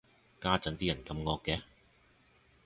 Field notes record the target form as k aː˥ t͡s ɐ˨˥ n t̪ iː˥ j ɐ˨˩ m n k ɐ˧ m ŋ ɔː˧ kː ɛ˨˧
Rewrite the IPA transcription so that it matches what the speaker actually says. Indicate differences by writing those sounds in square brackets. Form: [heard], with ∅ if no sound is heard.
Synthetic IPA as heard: k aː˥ t͡s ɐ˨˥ n t̪ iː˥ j ɐ˨˩ [∅] n k ɐ˧ m ŋ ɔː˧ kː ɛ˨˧

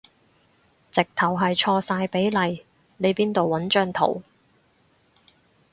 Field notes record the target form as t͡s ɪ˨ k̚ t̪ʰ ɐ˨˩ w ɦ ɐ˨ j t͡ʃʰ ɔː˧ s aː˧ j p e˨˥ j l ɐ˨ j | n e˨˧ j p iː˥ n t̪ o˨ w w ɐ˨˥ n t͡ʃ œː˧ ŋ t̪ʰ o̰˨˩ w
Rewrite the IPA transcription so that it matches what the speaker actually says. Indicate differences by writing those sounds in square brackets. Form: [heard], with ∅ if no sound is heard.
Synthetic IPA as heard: t͡s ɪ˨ k̚ t̪ʰ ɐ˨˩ w ɦ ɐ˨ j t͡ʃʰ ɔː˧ s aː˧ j p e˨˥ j l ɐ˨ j | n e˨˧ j p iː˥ n t̪ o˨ w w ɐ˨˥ n t͡ʃ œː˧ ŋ t̪ʰ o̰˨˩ w

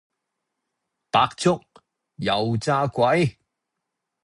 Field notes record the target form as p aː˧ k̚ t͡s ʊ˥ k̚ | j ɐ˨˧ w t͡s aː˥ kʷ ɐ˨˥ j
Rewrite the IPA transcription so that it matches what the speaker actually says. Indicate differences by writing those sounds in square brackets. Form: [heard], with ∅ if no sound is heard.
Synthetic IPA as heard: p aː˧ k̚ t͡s ʊ˥ k̚ | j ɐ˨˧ w t͡s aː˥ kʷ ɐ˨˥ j

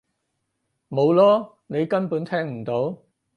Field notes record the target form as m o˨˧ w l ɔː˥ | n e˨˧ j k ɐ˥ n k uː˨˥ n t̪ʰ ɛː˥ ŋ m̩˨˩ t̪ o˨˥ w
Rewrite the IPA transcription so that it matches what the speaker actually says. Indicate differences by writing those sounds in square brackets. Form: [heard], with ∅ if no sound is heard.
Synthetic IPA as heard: m o˨˧ w l ɔː˥ | n e˨˧ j k ɐ˥ n [p] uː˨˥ n t̪ʰ ɛː˥ ŋ m̩˨˩ t̪ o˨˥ w

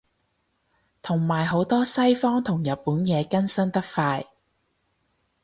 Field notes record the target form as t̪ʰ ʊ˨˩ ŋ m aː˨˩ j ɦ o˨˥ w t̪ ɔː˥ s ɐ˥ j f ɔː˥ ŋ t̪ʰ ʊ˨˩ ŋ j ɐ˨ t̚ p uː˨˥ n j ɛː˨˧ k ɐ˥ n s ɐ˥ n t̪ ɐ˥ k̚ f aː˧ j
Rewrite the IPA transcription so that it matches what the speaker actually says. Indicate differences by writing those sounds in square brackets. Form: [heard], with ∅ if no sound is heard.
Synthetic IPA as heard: t̪ʰ ʊ˨˩ ŋ m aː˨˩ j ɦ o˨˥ w t̪ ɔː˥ s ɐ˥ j f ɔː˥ ŋ t̪ʰ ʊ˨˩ ŋ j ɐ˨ t̚ p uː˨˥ n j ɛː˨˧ k ɐ˥ n s ɐ˥ n t̪ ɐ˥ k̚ f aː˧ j

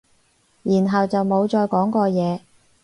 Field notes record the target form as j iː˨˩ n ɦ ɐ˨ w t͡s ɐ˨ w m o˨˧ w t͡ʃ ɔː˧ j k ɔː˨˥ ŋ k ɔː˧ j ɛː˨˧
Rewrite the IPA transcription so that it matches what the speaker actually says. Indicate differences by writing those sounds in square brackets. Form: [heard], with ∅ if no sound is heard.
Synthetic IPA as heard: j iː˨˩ n ɦ ɐ˨ w t͡s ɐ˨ w m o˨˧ w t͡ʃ ɔː˧ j k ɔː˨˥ ŋ k ɔː˧ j ɛː˨˧

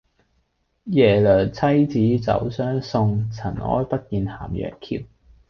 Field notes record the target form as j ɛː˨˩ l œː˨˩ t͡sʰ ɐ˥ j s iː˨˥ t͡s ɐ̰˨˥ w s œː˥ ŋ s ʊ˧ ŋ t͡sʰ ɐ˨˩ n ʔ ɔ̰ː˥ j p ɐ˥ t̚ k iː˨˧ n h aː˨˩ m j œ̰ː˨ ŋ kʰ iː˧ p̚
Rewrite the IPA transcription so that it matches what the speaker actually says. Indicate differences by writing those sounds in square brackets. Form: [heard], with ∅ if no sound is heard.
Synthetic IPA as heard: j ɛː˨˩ l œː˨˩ t͡sʰ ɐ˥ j [t͡s] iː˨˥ t͡s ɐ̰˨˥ w s œː˥ ŋ s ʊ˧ ŋ t͡sʰ ɐ˨˩ n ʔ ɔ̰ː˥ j p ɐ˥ t̚ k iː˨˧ n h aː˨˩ m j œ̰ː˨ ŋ kʰ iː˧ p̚

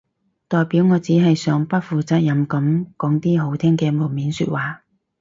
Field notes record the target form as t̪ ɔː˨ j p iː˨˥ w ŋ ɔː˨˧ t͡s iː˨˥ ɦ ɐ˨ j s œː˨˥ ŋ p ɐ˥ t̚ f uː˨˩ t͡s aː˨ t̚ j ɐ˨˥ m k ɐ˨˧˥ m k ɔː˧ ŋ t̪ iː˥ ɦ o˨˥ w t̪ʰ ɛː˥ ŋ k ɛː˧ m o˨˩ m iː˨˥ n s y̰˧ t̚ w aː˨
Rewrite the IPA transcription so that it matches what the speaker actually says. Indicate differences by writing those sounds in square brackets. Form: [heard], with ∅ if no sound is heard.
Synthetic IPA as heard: t̪ ɔː˨ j p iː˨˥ w ŋ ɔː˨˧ t͡s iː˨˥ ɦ ɐ˨ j s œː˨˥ ŋ p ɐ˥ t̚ f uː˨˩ t͡s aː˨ t̚ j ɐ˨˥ m k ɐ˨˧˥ m k [ɔː˨˥] ŋ t̪ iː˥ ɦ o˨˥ w t̪ʰ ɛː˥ ŋ k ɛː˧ m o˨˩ m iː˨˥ n s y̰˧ t̚ w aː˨

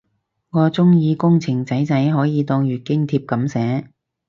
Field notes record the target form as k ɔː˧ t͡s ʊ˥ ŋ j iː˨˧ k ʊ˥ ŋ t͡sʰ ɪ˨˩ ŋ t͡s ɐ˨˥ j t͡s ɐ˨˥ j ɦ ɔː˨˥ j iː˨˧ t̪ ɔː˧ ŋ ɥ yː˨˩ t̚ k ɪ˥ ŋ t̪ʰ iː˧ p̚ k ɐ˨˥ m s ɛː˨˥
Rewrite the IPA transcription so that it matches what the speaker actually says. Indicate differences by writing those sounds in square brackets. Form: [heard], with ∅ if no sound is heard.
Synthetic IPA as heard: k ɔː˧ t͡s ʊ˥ ŋ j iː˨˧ k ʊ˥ ŋ t͡sʰ ɪ˨˩ ŋ t͡s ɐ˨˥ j t͡s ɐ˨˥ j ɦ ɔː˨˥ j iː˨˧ t̪ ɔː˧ ŋ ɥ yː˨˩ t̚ k ɪ˥ ŋ t̪ʰ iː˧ p̚ k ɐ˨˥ m s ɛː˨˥

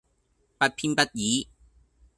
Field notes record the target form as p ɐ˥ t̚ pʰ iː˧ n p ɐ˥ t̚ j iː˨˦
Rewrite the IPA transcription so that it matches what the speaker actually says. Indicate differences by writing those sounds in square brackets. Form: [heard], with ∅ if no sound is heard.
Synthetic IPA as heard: p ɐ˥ t̚ pʰ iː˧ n p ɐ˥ t̚ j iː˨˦

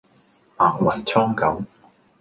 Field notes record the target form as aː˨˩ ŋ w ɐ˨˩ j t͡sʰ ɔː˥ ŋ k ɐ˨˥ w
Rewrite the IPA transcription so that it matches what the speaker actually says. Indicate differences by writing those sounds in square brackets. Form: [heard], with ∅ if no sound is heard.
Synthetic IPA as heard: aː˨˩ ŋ w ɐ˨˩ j t͡sʰ ɔː˥ ŋ k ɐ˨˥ w

